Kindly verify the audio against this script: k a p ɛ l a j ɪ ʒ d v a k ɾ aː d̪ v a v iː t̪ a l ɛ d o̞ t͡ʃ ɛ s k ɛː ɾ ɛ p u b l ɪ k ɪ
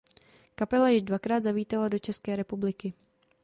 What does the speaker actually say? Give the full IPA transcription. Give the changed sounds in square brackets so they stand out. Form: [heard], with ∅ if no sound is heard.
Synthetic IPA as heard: k a p ɛ l a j ɪ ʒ d v a k ɾ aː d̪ [z] a v iː t̪ a l [a] d o̞ t͡ʃ ɛ s k ɛː ɾ ɛ p u b l ɪ k ɪ